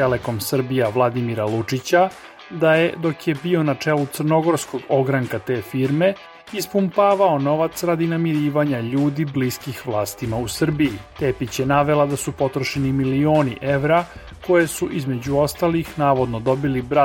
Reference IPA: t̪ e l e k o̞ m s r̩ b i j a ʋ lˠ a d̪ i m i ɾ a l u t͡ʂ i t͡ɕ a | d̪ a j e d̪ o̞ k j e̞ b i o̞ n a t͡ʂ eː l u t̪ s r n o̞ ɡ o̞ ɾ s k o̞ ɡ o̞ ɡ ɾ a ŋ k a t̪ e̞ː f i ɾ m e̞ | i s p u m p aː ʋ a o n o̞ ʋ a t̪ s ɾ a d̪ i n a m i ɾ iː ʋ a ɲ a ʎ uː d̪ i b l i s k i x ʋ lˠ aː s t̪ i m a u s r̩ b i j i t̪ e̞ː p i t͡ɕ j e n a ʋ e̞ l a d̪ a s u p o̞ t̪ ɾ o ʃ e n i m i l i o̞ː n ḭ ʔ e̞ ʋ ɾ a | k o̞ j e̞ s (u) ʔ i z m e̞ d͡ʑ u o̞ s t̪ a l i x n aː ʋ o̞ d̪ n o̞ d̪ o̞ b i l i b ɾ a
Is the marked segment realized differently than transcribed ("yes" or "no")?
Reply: no